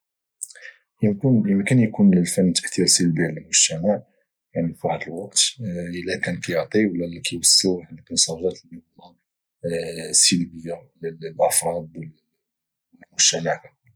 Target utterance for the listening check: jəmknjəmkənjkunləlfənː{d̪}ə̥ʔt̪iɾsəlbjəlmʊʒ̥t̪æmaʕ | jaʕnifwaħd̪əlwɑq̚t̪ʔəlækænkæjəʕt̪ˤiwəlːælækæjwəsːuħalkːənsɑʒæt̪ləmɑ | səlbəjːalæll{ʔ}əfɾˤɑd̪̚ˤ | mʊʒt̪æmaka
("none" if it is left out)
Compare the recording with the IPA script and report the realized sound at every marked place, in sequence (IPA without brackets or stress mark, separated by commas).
t̪, ʔ